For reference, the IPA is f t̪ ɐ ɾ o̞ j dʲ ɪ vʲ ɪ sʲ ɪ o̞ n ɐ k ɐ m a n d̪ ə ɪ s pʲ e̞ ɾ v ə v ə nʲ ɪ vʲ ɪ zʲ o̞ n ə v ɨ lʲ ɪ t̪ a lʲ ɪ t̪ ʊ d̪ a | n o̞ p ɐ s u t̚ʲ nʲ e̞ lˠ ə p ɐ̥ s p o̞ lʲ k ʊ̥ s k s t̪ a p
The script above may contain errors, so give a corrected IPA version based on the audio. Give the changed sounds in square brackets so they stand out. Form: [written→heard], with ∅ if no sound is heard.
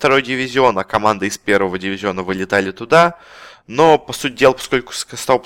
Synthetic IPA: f t̪ ɐ ɾ o̞ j dʲ ɪ vʲ ɪ [sʲ→zʲ] ɪ o̞ n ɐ k ɐ m a n d̪ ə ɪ s pʲ e̞ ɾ v ə v ə [nʲ→dʲ] ɪ vʲ ɪ zʲ o̞ n ə v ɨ lʲ ɪ t̪ a lʲ ɪ t̪ ʊ d̪ a | n o̞ p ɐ s u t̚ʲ [nʲ→dʲ] e̞ lˠ ə p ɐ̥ s [p→k] o̞ lʲ k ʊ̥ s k s t̪ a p